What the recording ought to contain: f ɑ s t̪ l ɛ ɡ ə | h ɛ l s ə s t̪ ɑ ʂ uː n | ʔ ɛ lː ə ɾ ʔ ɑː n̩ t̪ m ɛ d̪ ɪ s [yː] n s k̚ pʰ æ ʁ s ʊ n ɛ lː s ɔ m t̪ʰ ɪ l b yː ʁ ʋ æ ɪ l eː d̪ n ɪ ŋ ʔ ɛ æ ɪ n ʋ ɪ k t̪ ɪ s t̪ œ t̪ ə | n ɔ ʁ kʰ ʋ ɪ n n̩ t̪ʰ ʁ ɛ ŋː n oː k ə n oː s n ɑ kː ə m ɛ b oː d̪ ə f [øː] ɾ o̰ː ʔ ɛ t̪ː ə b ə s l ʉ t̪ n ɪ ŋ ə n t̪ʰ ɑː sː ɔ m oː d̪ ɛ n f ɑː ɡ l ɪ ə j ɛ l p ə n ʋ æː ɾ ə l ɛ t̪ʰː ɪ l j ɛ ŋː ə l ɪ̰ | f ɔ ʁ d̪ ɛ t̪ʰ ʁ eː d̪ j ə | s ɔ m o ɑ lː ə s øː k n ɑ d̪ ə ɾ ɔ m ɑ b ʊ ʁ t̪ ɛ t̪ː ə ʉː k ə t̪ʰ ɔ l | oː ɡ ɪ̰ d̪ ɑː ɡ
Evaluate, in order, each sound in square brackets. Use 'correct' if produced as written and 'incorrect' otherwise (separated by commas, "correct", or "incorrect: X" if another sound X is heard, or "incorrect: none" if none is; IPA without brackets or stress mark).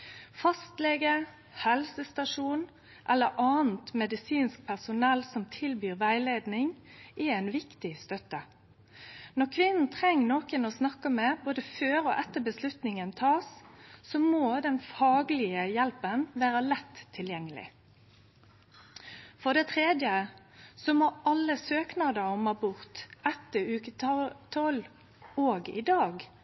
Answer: incorrect: iː, correct